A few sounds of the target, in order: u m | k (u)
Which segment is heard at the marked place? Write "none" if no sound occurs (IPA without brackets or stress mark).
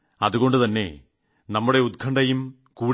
uː